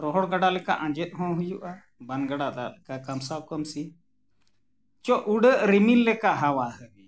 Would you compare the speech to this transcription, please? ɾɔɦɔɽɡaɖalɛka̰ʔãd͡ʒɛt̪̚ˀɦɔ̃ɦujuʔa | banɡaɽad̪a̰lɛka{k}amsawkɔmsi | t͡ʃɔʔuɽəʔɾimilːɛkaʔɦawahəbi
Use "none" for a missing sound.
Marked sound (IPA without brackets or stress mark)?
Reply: k